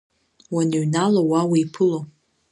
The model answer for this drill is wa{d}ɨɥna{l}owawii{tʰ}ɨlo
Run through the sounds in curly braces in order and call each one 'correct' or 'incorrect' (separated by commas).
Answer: incorrect, correct, incorrect